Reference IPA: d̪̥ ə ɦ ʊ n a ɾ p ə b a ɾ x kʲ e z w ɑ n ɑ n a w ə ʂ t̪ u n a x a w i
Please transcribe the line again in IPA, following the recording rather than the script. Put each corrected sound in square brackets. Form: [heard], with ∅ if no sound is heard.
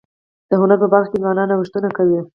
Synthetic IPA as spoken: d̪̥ ə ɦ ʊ n a ɾ p ə b a ɾ x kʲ e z w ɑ n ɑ n a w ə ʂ t̪ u n a [k] a w i